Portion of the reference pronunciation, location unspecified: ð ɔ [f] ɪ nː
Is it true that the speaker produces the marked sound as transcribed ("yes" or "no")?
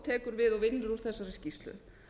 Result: no